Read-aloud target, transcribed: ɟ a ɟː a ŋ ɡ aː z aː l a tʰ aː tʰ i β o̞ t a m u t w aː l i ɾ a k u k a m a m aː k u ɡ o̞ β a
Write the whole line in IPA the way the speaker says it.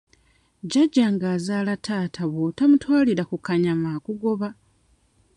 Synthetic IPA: ɟ a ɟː a ŋ ɡ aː z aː l a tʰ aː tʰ a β o̞ t a m u t w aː l i ɾ a k u k a ɲ a m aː k u ɡ o̞ β a